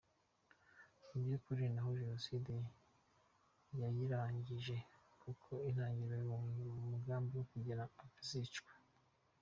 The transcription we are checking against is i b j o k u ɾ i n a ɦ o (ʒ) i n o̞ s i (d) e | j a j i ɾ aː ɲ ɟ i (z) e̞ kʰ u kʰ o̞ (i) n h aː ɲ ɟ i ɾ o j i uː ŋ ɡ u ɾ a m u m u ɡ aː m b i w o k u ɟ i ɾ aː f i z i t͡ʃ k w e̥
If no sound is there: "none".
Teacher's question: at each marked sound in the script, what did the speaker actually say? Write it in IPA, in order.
ʒ, d, ʒ, i

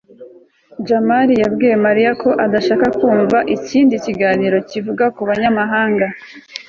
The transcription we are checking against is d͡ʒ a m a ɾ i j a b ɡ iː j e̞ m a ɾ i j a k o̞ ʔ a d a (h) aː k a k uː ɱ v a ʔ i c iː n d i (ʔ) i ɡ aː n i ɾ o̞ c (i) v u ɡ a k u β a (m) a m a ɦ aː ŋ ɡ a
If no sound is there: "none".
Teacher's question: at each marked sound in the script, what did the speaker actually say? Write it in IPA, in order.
ʃ, c, i, ɲ

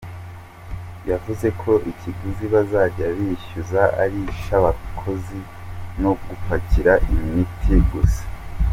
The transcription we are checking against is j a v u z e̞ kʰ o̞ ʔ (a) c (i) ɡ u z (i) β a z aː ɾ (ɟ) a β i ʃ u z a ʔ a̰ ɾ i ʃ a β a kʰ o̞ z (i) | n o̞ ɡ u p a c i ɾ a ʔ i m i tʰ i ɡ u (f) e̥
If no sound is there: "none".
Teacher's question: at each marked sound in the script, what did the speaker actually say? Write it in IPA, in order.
i, i, i, ɟ, i, s

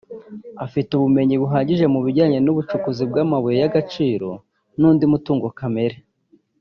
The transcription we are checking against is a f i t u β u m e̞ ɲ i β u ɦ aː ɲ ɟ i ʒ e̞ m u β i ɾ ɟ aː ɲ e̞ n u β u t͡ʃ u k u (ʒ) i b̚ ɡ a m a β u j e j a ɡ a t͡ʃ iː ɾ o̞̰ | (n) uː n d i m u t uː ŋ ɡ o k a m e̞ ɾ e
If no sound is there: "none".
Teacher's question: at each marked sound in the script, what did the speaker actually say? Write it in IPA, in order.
z, n

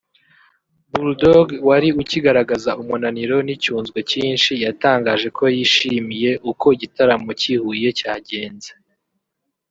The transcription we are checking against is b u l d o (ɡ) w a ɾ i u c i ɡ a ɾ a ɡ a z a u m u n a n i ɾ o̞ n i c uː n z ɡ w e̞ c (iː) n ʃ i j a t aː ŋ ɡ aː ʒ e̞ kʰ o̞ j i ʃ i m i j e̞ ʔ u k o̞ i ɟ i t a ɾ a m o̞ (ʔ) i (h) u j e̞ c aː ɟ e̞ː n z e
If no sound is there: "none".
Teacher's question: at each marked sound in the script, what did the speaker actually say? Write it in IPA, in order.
ɡ, iː, c, h

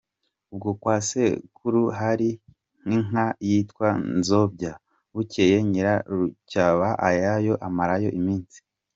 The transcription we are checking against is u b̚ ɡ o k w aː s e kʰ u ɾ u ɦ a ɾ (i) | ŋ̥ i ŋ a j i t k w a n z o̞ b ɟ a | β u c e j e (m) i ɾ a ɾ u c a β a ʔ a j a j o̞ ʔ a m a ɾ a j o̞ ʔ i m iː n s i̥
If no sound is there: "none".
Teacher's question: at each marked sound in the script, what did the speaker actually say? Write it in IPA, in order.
i, ɲ

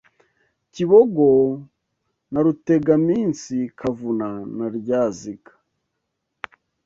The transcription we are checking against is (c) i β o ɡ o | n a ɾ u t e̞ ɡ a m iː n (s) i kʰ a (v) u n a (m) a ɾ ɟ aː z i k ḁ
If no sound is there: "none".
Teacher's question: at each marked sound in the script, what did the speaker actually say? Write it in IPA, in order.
c, s, v, n

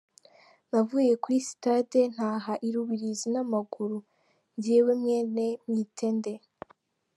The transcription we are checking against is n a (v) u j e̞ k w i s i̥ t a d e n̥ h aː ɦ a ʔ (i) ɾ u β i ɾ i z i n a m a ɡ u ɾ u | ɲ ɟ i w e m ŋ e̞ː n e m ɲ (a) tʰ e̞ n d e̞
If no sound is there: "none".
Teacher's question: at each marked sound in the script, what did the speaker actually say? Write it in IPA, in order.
v, i, i

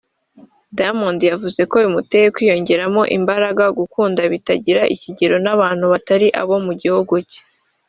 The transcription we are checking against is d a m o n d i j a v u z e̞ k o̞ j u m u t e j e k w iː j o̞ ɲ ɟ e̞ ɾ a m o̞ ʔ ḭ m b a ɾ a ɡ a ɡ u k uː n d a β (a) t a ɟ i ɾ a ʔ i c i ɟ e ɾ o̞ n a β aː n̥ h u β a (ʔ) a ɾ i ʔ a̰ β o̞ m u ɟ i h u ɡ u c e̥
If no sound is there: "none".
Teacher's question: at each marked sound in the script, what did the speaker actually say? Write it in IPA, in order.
i, t

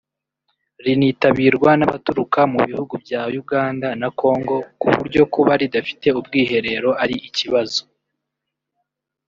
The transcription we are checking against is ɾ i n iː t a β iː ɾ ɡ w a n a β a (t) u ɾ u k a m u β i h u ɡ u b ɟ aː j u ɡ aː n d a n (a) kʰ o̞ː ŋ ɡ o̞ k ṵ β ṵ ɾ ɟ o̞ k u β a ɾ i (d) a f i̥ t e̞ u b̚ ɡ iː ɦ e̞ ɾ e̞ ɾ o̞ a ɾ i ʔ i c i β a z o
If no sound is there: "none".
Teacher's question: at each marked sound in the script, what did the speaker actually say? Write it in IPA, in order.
t, a, d

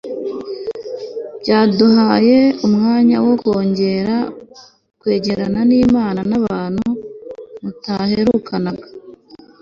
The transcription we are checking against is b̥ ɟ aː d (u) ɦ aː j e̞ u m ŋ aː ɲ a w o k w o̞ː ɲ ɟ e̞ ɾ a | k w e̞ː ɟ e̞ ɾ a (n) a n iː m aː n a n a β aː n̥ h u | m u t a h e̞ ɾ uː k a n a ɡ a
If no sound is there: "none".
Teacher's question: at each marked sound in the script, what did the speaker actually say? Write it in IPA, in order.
u, n

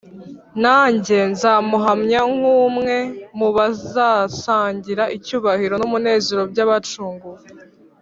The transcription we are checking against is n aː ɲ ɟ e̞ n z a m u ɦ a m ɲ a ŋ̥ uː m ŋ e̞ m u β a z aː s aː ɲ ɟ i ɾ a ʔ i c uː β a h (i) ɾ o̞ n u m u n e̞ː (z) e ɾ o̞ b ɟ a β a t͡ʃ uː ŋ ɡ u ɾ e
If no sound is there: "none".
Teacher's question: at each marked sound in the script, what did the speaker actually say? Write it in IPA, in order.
i, z

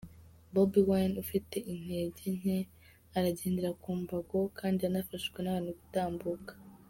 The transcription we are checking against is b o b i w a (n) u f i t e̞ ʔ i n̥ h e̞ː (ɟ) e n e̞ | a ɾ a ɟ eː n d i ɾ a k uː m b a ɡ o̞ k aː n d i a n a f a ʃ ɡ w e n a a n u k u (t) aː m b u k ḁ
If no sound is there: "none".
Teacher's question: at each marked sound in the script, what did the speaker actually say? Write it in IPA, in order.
n, ɟ, t

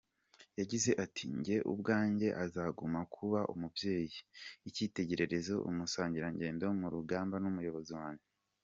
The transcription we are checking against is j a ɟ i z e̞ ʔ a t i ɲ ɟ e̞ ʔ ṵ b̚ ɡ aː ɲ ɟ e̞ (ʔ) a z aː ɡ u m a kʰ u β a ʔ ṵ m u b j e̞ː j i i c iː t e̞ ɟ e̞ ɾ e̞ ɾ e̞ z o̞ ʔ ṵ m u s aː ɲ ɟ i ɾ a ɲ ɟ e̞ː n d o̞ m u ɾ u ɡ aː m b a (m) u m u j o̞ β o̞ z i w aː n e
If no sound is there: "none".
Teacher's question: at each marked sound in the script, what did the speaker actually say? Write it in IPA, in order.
ʔ, n

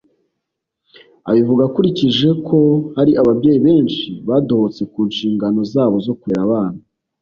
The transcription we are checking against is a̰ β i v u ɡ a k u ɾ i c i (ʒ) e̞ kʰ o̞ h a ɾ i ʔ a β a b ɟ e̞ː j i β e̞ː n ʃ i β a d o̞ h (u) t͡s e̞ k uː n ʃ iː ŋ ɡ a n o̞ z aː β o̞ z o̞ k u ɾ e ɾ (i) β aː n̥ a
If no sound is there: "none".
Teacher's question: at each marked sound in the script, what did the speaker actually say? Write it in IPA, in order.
ʒ, o, a

